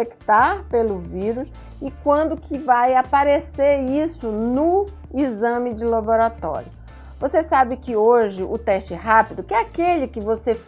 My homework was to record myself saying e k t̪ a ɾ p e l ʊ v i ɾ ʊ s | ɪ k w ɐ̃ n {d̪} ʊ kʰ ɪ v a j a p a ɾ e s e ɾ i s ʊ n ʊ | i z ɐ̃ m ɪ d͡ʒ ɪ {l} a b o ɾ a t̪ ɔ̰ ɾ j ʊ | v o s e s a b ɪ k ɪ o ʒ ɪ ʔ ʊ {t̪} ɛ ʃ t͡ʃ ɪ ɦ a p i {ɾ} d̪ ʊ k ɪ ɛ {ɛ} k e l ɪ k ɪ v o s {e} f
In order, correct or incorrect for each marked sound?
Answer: correct, correct, correct, incorrect, incorrect, correct

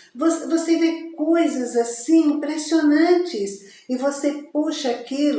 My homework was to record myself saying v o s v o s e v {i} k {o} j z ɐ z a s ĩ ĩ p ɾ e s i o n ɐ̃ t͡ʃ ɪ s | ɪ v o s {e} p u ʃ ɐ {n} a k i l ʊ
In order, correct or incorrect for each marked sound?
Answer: incorrect, correct, correct, incorrect

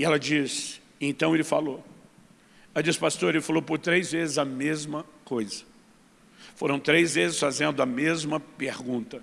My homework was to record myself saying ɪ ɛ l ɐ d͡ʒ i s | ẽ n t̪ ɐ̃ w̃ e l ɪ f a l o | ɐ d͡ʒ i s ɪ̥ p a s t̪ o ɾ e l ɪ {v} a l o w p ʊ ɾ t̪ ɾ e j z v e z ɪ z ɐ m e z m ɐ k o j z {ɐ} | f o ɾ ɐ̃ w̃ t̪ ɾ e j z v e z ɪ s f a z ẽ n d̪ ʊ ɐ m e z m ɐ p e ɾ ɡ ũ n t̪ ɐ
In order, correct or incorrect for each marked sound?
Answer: incorrect, correct

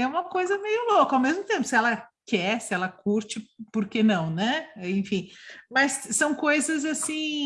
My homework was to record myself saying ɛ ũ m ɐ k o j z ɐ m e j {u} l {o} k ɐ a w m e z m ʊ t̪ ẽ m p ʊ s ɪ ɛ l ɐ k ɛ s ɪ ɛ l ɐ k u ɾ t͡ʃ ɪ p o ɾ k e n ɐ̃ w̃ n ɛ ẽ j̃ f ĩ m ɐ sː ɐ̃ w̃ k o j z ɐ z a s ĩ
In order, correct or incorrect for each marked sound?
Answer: incorrect, correct

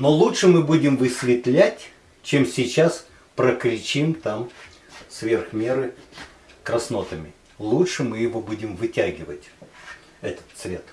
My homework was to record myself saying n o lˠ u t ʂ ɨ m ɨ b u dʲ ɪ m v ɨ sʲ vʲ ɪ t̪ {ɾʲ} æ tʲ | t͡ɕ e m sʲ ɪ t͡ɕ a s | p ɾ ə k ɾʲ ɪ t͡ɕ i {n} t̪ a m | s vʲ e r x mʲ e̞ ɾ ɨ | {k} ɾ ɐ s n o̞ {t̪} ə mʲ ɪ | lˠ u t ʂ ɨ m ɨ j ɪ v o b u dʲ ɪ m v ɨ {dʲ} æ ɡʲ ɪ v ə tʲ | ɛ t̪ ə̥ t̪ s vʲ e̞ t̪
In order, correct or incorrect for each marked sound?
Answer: incorrect, incorrect, correct, correct, incorrect

